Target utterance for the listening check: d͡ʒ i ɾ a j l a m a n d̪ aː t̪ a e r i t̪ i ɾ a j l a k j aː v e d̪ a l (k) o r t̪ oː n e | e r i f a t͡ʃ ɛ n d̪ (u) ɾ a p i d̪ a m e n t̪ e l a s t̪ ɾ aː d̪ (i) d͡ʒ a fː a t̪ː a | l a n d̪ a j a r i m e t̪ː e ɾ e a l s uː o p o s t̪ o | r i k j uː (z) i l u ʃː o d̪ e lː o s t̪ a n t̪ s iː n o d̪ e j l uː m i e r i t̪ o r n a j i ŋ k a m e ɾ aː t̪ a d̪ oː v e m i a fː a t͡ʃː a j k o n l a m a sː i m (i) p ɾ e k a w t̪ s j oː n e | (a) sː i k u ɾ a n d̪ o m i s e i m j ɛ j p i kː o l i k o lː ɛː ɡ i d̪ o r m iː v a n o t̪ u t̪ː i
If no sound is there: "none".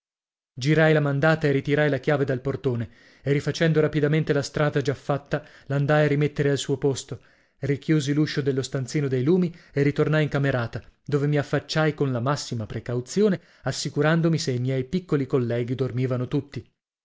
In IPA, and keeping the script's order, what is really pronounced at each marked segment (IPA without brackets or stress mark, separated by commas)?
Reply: p, o, a, z, a, a